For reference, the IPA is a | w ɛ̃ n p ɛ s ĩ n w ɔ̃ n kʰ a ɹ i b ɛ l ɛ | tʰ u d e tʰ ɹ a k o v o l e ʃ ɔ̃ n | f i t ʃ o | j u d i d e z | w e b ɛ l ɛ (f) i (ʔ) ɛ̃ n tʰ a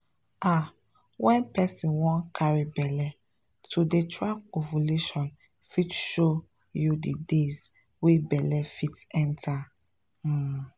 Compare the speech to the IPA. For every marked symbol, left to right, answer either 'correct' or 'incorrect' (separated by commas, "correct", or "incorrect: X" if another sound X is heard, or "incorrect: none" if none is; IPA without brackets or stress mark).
correct, incorrect: t